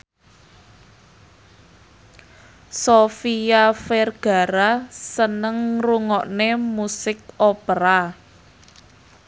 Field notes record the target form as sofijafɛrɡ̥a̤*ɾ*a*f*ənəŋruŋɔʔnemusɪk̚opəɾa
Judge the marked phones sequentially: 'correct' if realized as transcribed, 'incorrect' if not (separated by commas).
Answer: correct, incorrect